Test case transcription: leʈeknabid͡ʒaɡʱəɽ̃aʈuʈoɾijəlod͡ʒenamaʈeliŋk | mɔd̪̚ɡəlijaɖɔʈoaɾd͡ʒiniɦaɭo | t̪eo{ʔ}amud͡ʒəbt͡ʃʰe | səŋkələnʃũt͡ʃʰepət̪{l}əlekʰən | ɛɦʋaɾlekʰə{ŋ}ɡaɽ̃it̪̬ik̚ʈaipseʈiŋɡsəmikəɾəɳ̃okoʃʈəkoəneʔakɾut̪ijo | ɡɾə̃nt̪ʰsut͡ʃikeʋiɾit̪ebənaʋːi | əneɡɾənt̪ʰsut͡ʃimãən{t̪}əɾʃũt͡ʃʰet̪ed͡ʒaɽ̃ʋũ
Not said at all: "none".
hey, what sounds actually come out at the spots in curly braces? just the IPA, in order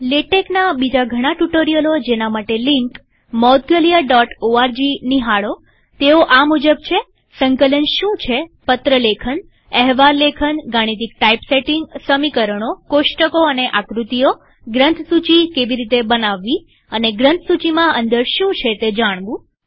ʔ, ɾ, n, d̪

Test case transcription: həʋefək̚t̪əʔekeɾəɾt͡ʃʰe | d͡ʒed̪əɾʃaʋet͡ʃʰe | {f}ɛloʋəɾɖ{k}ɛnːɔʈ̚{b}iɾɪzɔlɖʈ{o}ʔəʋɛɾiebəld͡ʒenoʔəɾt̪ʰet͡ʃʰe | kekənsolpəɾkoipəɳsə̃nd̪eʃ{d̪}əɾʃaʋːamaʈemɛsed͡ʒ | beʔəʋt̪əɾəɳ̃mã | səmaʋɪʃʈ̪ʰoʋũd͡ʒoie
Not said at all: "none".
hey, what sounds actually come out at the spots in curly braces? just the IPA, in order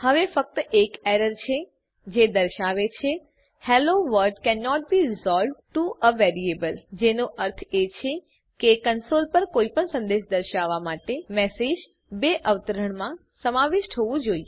h, k, b, u, d̪

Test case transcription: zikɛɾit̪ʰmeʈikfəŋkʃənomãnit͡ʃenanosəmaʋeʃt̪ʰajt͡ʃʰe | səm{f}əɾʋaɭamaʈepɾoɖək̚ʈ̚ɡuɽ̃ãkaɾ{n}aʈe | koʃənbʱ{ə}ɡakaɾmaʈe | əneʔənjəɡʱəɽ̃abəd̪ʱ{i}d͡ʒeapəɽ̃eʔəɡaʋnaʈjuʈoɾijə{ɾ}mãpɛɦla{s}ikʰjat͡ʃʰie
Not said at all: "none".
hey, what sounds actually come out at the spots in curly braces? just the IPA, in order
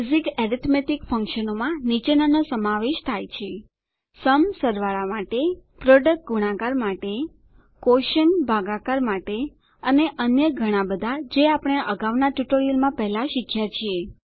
s, m, a, a, l, ʃ

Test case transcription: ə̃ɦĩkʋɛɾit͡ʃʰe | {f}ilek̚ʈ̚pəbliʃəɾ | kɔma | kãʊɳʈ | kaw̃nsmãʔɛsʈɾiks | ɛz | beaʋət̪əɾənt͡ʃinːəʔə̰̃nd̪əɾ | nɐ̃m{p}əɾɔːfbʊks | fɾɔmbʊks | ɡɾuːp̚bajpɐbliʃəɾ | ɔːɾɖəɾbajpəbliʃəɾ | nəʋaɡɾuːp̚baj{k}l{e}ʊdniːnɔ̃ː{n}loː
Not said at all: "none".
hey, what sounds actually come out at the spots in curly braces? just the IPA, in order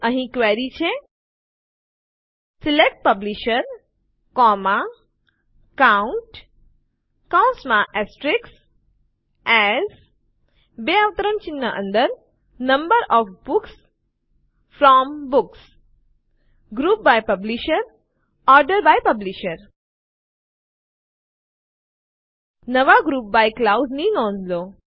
s, b, k, a, n

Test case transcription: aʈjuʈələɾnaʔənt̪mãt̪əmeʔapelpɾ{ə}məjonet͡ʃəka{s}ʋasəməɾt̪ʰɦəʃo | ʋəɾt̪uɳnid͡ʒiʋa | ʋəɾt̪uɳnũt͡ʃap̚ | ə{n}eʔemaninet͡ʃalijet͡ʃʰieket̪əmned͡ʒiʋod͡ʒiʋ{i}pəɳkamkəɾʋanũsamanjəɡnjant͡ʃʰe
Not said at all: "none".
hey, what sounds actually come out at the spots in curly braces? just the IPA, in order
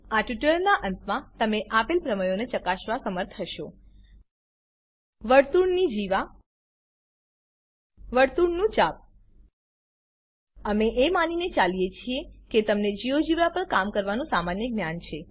ə, ʃ, m, a

